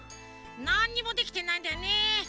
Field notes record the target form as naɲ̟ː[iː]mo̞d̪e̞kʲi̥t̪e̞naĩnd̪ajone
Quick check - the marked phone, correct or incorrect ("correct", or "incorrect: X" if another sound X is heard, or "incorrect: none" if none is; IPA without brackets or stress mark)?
incorrect: i